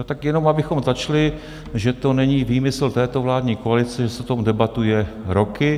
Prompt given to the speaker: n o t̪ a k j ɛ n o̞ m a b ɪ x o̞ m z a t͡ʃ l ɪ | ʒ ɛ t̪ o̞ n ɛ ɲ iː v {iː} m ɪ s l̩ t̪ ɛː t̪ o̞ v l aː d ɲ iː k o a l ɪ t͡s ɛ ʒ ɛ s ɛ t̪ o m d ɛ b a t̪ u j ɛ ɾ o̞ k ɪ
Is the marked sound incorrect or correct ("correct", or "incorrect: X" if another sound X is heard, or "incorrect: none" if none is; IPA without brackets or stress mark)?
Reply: correct